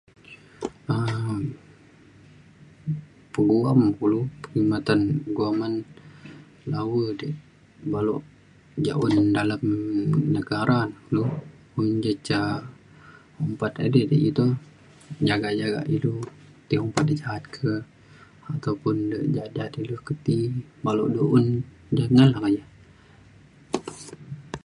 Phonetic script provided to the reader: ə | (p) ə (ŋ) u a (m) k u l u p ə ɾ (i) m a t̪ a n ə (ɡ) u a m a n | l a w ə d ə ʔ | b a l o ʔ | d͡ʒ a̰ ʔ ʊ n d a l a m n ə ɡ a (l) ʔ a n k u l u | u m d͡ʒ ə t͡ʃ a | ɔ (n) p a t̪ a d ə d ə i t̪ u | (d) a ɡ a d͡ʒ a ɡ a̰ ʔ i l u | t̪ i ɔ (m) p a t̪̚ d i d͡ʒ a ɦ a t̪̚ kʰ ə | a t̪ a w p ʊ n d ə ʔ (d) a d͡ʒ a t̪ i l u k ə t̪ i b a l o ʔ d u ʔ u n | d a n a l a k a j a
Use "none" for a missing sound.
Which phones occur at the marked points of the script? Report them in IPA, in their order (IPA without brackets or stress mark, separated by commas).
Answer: p, ɡ, m, i, ɡ, ɾ, m, d͡ʒ, m, d͡ʒ